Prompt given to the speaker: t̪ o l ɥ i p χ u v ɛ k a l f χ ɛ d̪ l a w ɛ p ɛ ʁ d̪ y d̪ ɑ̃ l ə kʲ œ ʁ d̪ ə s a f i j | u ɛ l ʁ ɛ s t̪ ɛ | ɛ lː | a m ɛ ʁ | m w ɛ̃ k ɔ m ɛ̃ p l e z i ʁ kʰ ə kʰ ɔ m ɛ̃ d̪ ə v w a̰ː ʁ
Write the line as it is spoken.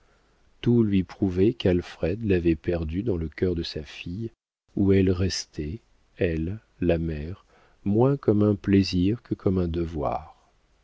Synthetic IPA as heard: t̪ u l ɥ i p χ u v ɛ k a l f χ ɛ d̪ l a v ɛ p ɛ ʁ d̪ y d̪ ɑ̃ l ə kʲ œ ʁ d̪ ə s a f i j | u ɛ l ʁ ɛ s t̪ ɛ | ɛ lː | a m ɛ ʁ | m w ɛ̃ k ɔ m ɛ̃ p l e z i ʁ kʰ ə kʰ ɔ m ɛ̃ d̪ ə v w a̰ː ʁ